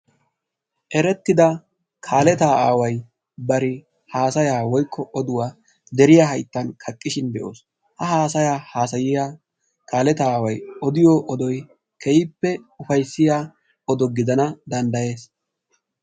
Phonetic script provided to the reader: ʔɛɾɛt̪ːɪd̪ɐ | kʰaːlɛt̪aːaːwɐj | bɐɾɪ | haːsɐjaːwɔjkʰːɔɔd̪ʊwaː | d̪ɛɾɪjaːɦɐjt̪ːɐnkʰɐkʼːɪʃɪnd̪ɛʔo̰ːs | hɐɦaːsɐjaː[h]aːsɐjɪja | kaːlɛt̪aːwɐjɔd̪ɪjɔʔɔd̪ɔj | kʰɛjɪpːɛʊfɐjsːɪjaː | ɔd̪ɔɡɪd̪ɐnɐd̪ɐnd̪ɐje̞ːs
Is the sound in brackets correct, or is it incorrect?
correct